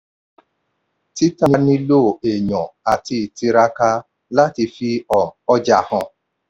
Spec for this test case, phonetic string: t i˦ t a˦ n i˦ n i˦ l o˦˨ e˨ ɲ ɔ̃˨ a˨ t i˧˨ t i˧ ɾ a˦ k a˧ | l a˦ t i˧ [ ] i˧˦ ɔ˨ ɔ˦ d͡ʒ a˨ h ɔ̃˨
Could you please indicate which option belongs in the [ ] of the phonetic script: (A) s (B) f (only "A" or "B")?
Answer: B